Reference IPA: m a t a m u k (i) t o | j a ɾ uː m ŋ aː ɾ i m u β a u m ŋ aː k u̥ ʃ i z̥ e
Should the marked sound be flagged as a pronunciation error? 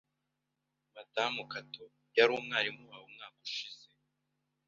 yes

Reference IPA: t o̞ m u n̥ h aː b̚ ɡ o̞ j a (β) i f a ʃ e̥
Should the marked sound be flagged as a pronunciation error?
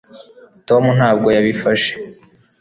no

